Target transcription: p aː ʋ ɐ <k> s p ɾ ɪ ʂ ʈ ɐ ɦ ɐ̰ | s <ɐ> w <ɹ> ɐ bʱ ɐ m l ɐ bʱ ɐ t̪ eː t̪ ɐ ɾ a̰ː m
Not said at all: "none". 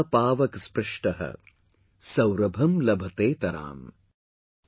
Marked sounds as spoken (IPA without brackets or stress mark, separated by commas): k, ɐ, ɾ